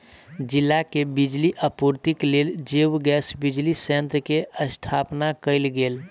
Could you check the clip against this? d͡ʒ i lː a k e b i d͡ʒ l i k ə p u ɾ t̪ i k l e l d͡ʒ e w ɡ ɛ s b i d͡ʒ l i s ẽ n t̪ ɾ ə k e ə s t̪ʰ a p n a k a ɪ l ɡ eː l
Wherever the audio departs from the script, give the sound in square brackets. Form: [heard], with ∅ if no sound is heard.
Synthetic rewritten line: d͡ʒ i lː a k e b i d͡ʒ l i [ʔ] ə p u ɾ t̪ i k l e l d͡ʒ e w ɡ ɛ s b i d͡ʒ l i s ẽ n t̪ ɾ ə k e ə s t̪ʰ a p n a k [ə] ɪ l ɡ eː l